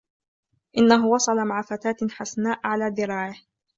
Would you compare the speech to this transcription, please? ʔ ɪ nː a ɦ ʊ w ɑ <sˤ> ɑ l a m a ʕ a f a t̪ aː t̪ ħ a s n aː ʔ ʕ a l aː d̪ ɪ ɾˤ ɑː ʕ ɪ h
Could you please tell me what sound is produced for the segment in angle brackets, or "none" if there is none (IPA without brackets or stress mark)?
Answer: sˤ